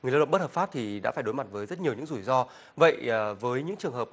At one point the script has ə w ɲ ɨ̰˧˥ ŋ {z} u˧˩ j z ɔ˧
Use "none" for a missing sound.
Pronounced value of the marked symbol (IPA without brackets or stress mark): z